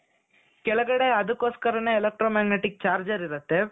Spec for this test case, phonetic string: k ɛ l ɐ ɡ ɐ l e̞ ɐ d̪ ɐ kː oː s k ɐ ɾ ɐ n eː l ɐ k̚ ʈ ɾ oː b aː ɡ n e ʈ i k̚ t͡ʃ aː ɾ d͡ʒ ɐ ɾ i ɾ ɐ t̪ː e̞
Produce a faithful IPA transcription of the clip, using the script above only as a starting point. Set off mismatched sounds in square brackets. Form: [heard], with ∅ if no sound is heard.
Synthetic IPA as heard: k ɛ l ɐ ɡ ɐ [ɽ] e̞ ɐ d̪ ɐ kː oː s k ɐ ɾ ɐ n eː l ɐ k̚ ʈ ɾ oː [m] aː ɡ n e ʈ i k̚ t͡ʃ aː ɾ d͡ʒ ɐ ɾ i ɾ ɐ t̪ː e̞